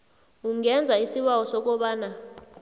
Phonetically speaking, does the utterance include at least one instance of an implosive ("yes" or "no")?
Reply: yes